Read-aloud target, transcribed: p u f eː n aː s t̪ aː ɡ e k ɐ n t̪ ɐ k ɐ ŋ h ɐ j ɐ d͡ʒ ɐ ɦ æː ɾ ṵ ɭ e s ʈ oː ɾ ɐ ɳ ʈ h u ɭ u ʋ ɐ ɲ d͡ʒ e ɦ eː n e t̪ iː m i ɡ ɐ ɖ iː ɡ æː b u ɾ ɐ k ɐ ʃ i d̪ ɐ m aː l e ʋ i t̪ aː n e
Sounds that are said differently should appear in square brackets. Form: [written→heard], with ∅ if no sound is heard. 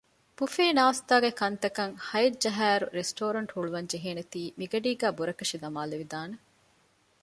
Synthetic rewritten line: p u f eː n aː s t̪ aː ɡ e k ɐ n t̪ ɐ k ɐ ŋ h ɐ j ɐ d͡ʒ ɐ ɦ æː ɾ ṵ [ɭ→ɾ] e s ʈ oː ɾ ɐ ɳ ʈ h u ɭ u ʋ ɐ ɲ d͡ʒ e ɦ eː n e t̪ iː m i ɡ ɐ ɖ iː ɡ æː b u ɾ ɐ k ɐ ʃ i d̪ ɐ m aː l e ʋ i [t̪→d̪] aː n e

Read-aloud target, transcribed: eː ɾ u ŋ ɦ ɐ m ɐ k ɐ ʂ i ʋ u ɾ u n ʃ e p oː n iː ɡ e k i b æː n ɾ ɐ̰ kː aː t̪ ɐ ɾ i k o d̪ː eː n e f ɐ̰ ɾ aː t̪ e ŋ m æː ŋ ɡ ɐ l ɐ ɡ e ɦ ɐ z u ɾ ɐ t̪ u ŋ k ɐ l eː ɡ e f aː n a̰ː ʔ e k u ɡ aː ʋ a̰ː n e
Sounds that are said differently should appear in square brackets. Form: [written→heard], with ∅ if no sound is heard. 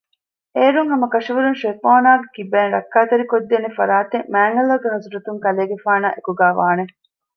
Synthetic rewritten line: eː ɾ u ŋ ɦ ɐ m ɐ k ɐ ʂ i ʋ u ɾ u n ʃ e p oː n [iː→aː] ɡ e k i b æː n ɾ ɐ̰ kː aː t̪ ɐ ɾ i k o d̪ː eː n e f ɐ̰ ɾ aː t̪ e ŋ m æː ŋ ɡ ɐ l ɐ ɡ e ɦ ɐ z u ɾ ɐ t̪ u ŋ k ɐ l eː ɡ e f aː n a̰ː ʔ e k u ɡ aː ʋ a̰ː n e

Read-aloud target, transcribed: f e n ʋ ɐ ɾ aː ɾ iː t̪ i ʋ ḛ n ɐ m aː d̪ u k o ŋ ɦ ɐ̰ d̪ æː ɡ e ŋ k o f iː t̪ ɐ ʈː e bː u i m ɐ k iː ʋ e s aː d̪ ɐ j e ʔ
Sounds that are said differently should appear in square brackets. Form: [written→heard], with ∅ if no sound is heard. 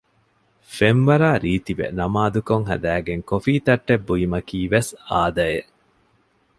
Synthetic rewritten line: f e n ʋ ɐ ɾ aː ɾ iː t̪ i ʋ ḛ n ɐ m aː d̪ u k o ŋ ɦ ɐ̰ d̪ æː ɡ e ŋ k o f iː t̪ ɐ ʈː e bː u i m ɐ k iː ʋ e s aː d̪ ɐ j e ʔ

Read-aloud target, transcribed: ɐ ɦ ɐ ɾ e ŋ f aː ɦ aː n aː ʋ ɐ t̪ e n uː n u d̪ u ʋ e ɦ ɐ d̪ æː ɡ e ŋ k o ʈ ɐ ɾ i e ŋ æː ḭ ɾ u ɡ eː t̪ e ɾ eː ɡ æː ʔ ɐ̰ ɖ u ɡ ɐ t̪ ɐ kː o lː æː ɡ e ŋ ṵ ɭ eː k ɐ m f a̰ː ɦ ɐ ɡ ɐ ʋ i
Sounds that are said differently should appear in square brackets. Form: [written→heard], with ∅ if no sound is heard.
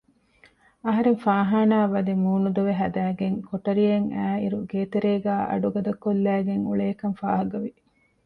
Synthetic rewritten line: ɐ ɦ ɐ ɾ e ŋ f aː ɦ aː n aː ʋ ɐ [t̪→d̪] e [n→m] uː n u d̪ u ʋ e ɦ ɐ d̪ æː ɡ e ŋ k o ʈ ɐ ɾ i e ŋ æː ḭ ɾ u ɡ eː t̪ e ɾ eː ɡ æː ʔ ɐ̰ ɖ u ɡ ɐ [t̪→d̪] ɐ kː o lː æː ɡ e ŋ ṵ ɭ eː k ɐ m f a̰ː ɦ ɐ ɡ ɐ ʋ i

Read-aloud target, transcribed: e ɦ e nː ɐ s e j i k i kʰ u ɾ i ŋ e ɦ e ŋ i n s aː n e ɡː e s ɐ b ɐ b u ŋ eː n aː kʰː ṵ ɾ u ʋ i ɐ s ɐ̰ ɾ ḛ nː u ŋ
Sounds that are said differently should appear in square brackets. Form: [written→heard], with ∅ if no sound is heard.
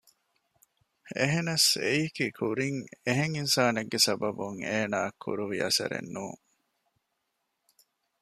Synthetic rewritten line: e ɦ e [nː→n] ɐ s e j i k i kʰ u ɾ i ŋ e ɦ e ŋ i n s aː n e ɡː e s ɐ b ɐ b u ŋ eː n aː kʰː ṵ ɾ u ʋ i ɐ s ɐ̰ ɾ ḛ nː [u→uː] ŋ

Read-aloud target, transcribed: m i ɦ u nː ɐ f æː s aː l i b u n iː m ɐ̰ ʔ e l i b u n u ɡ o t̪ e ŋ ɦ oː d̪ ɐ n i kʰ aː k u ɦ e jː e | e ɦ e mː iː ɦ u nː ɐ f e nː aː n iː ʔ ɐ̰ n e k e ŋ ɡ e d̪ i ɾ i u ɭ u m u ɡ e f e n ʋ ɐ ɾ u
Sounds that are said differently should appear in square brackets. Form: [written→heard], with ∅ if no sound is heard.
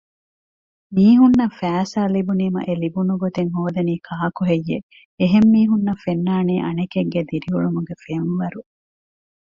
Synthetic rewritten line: m [i→iː] ɦ u nː ɐ f æː s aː l i b u n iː m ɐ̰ ʔ e l i b u n u ɡ o t̪ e ŋ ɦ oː d̪ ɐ n [i→iː] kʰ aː k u ɦ e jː e | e ɦ e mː iː ɦ u nː ɐ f e nː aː n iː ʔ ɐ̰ n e k e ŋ ɡ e d̪ i ɾ i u ɭ u m u ɡ e f e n ʋ ɐ ɾ u

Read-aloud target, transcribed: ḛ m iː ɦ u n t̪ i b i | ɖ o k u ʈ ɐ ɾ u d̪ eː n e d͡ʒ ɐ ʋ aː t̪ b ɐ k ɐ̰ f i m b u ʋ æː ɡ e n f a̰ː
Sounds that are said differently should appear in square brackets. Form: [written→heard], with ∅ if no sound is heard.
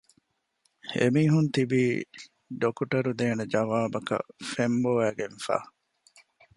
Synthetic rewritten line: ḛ m iː ɦ u n t̪ i b [i→iː] | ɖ o k u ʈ ɐ ɾ u d̪ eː n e d͡ʒ ɐ ʋ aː [t̪→∅] b ɐ k ɐ̰ f [i→e] m b [u→o] ʋ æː ɡ e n f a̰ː

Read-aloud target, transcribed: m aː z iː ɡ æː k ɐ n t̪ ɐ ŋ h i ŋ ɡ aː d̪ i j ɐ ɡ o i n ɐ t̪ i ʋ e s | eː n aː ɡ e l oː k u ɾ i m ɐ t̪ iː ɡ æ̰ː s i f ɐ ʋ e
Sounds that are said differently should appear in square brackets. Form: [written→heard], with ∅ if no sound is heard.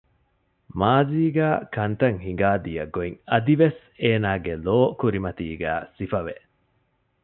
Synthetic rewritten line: m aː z iː ɡ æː k ɐ n t̪ ɐ ŋ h i ŋ ɡ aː d̪ i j ɐ ɡ o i [n→ŋ] ɐ [t̪→d̪] i ʋ e s | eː n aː ɡ e l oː k u ɾ i m ɐ t̪ iː ɡ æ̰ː s i f ɐ ʋ e

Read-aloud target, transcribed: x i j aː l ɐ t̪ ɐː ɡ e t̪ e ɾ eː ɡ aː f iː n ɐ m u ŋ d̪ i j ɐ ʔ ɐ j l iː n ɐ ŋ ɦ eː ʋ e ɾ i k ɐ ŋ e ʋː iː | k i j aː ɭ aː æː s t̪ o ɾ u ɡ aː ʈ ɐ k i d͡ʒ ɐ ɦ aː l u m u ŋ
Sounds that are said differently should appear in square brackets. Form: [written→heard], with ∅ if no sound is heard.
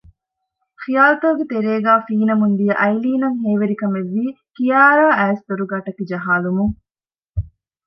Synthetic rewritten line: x i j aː l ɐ t̪ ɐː ɡ e t̪ e ɾ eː ɡ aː f iː n ɐ m u [ŋ→n] d̪ i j ɐ ʔ ɐ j l iː n ɐ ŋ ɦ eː ʋ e ɾ i k ɐ [ŋ→m] e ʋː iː | k i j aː [ɭ→ɾ] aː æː s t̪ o ɾ u ɡ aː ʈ ɐ k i d͡ʒ ɐ ɦ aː l u m u ŋ

